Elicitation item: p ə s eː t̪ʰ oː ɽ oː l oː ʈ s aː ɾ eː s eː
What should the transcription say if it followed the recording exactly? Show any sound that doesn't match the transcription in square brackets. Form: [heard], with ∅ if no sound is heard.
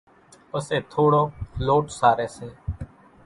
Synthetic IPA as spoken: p ə s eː t̪ʰ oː ɽ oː l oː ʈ s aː ɾ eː s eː